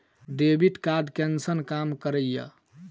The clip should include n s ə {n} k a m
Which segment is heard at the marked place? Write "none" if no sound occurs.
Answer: n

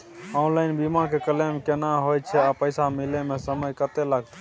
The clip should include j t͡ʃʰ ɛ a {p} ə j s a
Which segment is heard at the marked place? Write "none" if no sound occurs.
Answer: p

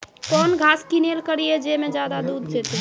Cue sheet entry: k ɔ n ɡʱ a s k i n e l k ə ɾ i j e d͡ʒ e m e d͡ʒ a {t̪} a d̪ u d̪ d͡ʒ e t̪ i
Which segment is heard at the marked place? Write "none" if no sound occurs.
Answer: d̪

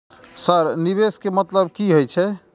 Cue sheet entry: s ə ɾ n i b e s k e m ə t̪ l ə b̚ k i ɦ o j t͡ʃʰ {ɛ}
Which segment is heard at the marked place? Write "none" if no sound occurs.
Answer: ɛ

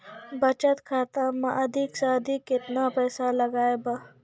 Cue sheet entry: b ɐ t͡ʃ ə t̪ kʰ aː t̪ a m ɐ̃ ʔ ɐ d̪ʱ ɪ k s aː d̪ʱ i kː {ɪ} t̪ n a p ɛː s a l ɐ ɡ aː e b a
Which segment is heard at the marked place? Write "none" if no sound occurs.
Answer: ɪ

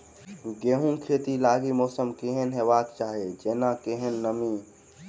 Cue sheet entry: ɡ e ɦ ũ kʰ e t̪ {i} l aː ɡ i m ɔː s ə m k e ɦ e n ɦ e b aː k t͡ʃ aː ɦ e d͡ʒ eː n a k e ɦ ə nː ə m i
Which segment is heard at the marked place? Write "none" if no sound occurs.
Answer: i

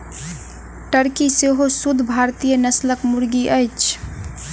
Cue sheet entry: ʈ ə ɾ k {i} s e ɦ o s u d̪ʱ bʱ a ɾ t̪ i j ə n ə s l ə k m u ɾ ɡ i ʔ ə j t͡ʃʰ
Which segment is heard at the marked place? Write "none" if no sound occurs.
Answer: i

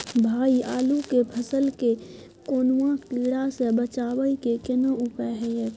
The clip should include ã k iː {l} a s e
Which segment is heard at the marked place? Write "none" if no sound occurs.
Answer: ɽ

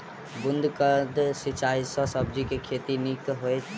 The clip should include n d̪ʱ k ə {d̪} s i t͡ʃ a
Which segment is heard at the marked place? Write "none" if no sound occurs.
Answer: d̪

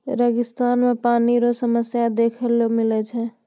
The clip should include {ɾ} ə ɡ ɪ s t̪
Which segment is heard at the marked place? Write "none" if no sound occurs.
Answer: ɾ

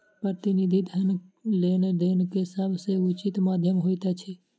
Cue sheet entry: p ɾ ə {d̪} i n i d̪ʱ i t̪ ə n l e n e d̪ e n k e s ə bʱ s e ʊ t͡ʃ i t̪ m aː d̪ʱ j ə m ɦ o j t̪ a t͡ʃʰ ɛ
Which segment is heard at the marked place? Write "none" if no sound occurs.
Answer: t̪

